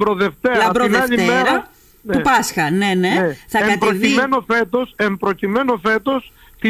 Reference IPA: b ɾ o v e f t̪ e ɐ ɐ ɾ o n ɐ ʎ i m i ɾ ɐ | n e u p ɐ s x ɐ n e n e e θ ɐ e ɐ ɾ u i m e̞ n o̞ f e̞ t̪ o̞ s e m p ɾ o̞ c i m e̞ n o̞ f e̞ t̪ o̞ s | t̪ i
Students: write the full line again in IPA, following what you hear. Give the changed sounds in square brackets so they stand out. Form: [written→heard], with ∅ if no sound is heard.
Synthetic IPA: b ɾ o [v→ð] e f t̪ e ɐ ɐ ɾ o n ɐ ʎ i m [i→e] ɾ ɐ | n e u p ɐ s x ɐ n e n e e θ ɐ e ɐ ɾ [u→o] i m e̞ n o̞ f e̞ t̪ o̞ s e m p ɾ o̞ c i m e̞ n o̞ f e̞ t̪ o̞ s | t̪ i